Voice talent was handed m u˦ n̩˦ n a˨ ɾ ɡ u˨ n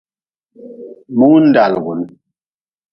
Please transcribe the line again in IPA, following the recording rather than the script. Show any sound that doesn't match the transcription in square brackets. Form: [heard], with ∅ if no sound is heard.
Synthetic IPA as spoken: m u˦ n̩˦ [d] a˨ [l] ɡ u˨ n